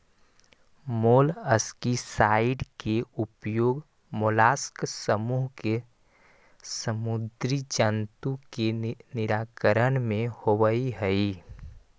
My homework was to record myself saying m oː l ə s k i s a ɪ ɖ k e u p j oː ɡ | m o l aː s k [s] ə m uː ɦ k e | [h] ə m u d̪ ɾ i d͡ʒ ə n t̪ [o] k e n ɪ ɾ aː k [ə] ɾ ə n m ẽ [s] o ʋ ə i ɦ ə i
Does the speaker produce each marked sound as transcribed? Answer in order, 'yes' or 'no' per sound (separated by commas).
yes, no, no, yes, no